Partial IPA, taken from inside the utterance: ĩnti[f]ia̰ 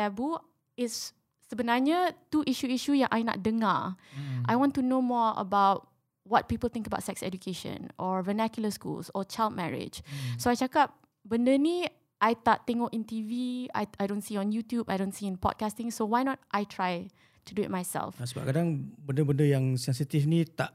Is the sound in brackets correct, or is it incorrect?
incorrect